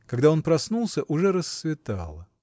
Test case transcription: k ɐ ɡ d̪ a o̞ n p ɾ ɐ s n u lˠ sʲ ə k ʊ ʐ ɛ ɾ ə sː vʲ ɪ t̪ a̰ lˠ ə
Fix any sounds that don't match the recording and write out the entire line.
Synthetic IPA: k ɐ ɡ d̪ a o̞ n p ɾ ɐ s n u lˠ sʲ ə ʔ ʊ ʐ ɛ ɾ ə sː vʲ ɪ t̪ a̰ lˠ ə